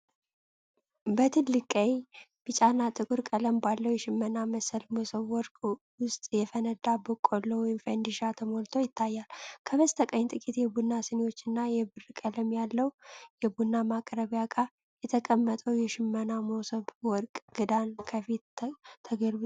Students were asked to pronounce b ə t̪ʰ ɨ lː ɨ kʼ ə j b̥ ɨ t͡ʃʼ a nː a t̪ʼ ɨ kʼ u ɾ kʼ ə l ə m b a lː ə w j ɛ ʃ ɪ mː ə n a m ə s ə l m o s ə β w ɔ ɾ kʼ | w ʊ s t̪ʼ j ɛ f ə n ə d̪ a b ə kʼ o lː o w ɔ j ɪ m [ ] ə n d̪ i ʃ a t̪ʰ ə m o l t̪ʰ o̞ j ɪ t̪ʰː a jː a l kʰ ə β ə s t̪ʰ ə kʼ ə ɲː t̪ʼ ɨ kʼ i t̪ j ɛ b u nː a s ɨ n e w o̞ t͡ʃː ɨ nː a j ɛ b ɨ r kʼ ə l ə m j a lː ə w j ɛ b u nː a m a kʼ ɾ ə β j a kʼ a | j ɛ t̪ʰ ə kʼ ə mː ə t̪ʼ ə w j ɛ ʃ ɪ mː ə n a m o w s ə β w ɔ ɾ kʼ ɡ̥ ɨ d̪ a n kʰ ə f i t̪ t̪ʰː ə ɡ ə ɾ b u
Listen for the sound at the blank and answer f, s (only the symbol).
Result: f